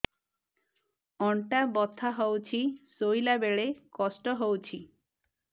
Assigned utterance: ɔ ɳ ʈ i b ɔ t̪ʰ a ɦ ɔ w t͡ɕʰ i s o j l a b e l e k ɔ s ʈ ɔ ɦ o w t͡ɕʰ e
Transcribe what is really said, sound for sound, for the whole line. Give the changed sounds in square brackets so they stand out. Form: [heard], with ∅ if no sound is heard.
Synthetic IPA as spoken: ɔ ɳ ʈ [a] b ɔ t̪ʰ a ɦ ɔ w t͡ɕʰ i s o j l a b e [ɭ] e k ɔ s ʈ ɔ ɦ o w t͡ɕʰ [i]

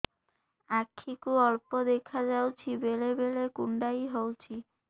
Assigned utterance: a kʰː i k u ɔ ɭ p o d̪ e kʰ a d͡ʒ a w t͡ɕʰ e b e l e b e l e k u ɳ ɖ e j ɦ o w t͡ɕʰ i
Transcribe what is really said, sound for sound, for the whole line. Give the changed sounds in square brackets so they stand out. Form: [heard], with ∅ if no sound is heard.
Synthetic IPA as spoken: a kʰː i k u ɔ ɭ p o d̪ e kʰ a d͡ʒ a w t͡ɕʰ [i] b e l e b e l e k u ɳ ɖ [a] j ɦ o w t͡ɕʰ i

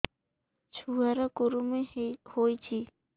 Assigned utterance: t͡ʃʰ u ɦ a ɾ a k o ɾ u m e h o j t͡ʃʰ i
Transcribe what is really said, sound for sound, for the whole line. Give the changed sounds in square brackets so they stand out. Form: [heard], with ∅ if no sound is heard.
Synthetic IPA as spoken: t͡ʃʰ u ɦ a ɾ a k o ɾ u m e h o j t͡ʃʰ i

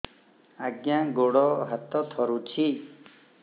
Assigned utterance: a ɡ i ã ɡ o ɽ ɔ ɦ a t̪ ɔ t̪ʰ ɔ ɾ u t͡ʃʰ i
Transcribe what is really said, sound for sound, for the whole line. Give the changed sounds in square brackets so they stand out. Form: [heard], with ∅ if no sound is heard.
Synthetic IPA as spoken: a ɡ [j] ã ɡ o ɽ ɔ ɦ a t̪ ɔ t̪ʰ ɔ ɾ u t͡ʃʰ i

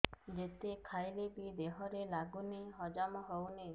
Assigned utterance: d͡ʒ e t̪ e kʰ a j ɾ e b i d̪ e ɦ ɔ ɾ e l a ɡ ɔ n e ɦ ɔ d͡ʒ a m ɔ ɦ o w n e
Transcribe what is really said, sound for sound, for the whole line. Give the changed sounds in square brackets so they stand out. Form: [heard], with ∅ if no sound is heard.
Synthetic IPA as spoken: d͡ʒ e t̪ e kʰ a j [l] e b i d̪ e ɦ ɔ ɾ e l a ɡ [u] n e ɦ ɔ d͡ʒ a m ɔ ɦ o w n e

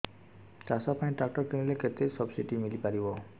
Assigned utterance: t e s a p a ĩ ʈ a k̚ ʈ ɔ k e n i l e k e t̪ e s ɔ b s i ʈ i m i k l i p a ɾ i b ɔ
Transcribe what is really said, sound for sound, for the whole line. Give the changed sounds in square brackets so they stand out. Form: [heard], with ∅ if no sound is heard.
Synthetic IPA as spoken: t [a] s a p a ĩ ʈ a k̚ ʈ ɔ k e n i l e k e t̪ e s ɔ b s i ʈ i m i [∅] l i p a ɾ i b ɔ

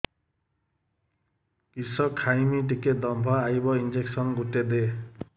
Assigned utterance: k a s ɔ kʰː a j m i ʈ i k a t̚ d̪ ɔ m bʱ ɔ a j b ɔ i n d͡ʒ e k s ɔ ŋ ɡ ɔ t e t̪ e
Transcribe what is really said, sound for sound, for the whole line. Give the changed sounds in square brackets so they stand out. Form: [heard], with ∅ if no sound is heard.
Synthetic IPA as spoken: k [i] s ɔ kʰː a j m i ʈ i k [e] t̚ d̪ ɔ m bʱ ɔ a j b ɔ i n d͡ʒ e k s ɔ [n] ɡ [u] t e [d̪] e

